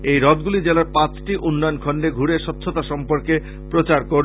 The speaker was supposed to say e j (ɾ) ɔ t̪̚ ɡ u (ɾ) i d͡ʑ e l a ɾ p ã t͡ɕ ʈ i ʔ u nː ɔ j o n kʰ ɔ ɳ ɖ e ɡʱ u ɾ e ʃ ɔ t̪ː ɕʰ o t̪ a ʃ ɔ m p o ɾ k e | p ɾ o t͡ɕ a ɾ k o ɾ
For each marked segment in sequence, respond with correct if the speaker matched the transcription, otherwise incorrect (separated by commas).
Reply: correct, incorrect